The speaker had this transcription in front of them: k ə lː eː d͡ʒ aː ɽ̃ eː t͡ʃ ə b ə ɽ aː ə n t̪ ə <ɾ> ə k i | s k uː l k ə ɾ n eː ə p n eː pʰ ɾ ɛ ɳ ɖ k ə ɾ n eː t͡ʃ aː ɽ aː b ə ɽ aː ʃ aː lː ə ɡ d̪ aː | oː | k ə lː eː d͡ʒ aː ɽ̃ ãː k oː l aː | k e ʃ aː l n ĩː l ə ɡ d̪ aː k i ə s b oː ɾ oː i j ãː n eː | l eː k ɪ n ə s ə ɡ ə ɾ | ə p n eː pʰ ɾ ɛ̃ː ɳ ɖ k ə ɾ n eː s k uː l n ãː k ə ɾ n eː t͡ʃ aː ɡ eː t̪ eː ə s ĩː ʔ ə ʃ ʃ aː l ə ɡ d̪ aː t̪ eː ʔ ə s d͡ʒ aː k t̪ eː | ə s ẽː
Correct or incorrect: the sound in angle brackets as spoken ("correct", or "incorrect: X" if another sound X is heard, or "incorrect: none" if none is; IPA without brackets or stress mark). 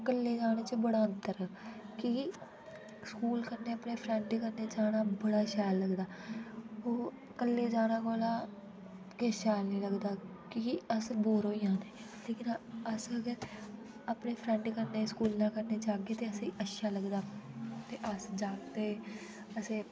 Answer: correct